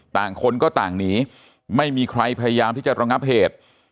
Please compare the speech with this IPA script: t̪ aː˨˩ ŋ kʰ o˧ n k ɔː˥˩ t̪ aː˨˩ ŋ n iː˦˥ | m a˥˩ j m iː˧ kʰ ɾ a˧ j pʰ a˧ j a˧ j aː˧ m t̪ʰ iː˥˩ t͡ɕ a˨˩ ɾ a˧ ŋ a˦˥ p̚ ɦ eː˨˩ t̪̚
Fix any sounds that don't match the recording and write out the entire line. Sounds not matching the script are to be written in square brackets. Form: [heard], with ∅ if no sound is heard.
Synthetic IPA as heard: t̪ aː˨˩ ŋ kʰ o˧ n k ɔː˥˩ t̪ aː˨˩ ŋ n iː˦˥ | m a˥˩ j m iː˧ kʰ ɾ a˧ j pʰ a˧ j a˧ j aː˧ m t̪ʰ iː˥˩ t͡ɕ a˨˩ ɾ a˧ ŋ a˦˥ p̚ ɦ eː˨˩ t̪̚

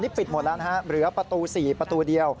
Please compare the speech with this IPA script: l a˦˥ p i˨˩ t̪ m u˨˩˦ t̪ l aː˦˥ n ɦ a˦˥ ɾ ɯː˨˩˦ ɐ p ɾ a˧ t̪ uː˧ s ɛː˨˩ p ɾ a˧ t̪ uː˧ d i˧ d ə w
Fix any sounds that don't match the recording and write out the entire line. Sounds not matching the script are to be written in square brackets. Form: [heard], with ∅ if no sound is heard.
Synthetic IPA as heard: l [i˦˥] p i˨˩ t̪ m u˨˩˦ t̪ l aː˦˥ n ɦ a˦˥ ɾ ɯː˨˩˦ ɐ p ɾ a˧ t̪ uː˧ s [iː˨˩] p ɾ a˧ t̪ uː˧ d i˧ [∅] ə w

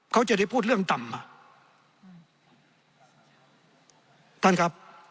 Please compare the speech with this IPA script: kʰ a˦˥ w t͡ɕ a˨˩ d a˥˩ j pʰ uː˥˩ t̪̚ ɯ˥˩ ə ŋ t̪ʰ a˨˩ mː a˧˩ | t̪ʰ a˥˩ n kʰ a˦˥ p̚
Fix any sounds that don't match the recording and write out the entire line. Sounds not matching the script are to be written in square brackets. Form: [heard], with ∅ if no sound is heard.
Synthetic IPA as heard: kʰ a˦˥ w t͡ɕ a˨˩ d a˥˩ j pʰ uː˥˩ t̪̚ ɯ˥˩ ə ŋ [t̪] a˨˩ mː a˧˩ | t̪ʰ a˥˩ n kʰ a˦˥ p̚

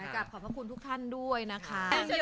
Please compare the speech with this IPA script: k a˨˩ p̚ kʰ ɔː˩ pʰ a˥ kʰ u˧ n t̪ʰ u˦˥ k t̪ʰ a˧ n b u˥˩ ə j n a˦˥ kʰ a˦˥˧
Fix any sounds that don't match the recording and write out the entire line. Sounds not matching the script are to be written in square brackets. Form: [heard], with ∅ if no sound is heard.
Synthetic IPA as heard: k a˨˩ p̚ kʰ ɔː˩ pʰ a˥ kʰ u˧ n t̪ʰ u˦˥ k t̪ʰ [a˥˩] n [d] u˥˩ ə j n a˦˥ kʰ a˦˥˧

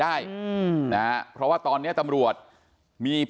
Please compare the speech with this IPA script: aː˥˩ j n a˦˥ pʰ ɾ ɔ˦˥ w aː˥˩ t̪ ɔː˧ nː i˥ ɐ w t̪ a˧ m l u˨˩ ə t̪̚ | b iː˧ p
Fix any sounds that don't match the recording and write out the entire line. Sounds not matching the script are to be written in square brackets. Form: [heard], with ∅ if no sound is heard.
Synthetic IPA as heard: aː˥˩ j n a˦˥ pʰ ɾ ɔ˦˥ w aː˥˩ t̪ ɔː˧ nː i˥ ɐ [∅] t̪ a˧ m [ɾ] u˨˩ ə t̪̚ | [m] iː˧ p

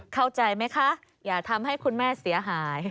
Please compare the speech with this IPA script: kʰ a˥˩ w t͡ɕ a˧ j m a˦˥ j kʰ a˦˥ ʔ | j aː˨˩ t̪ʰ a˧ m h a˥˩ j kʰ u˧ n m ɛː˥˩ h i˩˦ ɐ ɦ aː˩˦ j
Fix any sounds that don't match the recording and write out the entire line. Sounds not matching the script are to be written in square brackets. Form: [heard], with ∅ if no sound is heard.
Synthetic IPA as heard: kʰ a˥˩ w t͡ɕ a˧ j m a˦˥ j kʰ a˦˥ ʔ | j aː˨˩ t̪ʰ a˧ m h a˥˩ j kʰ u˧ n m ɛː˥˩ [s] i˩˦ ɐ ɦ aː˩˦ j

